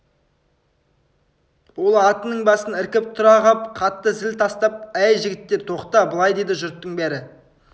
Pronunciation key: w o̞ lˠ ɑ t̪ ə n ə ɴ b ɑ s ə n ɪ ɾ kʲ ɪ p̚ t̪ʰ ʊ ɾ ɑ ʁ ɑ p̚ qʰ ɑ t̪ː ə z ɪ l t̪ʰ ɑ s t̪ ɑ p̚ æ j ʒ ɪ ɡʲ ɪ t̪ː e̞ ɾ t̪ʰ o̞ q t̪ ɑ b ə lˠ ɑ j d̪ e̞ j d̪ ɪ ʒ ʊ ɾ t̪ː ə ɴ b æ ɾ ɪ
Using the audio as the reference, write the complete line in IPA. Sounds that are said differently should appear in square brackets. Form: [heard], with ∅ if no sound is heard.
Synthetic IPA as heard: w o̞ lˠ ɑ t̪ ə n ə ɴ b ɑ s ə n ɪ ɾ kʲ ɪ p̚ t̪ʰ ʊ ɾ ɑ ʁ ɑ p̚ qʰ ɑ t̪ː ə z ɪ l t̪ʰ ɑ s t̪ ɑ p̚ æ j ʒ ɪ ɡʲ ɪ t̪ː e̞ ɾ t̪ʰ o̞ q t̪ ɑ b ə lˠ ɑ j d̪ e̞ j d̪ ɪ ʒ ʊ ɾ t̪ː ə ɴ b æ ɾ ɪ